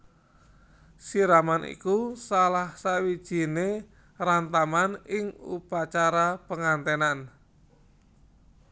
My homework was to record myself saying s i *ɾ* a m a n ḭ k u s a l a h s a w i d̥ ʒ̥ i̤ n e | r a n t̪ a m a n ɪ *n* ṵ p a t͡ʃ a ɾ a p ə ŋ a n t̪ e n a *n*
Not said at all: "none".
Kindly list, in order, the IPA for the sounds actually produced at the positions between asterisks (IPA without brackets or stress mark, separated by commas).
ɾ, ŋ, n